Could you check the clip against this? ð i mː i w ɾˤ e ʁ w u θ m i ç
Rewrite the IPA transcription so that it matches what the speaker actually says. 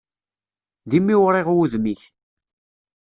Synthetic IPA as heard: ð i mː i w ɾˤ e ʁ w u ð m i ç